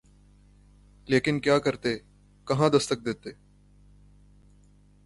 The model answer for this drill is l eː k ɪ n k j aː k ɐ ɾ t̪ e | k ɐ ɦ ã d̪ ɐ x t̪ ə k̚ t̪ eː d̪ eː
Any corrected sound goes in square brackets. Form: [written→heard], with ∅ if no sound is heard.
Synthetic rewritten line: l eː k ɪ n k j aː k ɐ ɾ t̪ e | k ɐ ɦ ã d̪ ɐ [x→s] t̪ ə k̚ [t̪→d̪] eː [d̪→t̪] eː